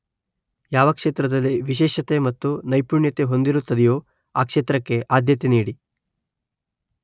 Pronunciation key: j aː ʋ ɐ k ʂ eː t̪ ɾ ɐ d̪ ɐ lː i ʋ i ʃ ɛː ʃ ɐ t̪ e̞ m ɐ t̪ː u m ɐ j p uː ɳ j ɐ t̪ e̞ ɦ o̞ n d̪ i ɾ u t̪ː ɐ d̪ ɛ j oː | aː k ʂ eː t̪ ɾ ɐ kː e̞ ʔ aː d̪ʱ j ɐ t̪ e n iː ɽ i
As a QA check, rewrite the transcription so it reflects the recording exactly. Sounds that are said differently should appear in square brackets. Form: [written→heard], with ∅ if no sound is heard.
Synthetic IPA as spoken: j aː ʋ ɐ k ʂ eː t̪ ɾ ɐ d̪ ɐ lː i ʋ i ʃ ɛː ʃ ɐ t̪ e̞ m ɐ t̪ː u [m→n] ɐ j p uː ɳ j ɐ t̪ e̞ ɦ o̞ n d̪ i ɾ u t̪ː ɐ d̪ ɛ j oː | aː k ʂ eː t̪ ɾ ɐ kː e̞ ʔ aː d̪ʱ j ɐ t̪ e n iː ɽ i